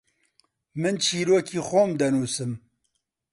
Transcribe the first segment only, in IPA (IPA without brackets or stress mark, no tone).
m